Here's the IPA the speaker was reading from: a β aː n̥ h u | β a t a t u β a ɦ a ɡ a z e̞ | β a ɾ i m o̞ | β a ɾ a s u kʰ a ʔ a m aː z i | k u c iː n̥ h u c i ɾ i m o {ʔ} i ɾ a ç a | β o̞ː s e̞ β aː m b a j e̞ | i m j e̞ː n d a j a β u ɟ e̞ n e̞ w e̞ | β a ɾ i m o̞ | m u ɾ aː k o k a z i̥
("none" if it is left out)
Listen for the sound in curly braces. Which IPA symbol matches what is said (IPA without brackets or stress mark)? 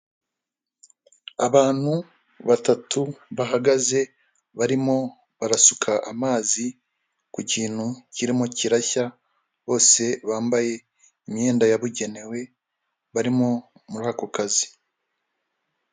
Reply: c